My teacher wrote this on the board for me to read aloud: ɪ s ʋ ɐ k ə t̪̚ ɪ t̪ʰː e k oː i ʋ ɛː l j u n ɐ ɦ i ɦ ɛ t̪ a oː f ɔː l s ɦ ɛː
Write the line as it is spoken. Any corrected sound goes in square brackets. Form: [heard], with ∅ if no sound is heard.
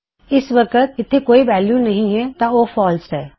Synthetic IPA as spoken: ɪ s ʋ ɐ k ə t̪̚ ɪ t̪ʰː e k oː i ʋ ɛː l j u n ɐ ɦ [ĩ] ɦ ɛ t̪ a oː f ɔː l s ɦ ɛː